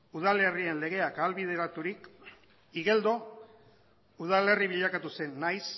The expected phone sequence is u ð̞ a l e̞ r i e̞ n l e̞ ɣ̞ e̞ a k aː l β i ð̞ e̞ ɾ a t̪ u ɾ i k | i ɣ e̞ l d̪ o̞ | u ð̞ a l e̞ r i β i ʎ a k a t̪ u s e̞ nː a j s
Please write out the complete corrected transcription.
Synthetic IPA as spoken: u ð̞ a l e̞ r i e̞ n l e̞ ɣ̞ e̞ a k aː l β i ð̞ e̞ ɾ a t̪ u ɾ i k | i ɣ e̞ l d̪ o̞ | u ð̞ a l e̞ r i β i ʎ a k a t̪ u s e̞ nː a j s